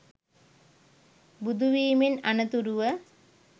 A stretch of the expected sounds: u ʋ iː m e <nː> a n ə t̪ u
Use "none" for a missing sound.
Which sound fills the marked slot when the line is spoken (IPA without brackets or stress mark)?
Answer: n